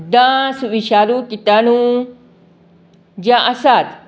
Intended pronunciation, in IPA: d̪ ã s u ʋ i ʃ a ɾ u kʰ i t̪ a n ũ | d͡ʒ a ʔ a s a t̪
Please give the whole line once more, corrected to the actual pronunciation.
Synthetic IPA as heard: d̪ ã s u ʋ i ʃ a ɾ u k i t̪ a n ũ | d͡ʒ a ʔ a s a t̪